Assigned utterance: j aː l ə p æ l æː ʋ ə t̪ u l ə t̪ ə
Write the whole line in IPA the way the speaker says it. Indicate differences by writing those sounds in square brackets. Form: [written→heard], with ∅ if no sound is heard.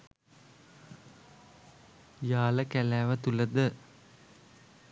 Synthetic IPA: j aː l ə [p→k] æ l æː ʋ ə t̪ u l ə [t̪→d̪] ə